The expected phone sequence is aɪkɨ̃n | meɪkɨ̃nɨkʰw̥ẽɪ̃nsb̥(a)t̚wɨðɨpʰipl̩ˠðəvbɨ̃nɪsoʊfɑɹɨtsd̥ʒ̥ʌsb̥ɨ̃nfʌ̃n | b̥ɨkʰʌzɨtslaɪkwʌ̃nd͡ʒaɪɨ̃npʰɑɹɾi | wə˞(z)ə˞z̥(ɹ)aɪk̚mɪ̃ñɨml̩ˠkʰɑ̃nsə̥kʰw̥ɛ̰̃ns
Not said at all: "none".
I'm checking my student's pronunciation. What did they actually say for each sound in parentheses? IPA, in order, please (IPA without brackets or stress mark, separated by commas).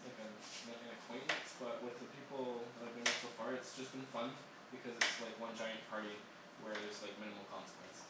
ʌ, ð, l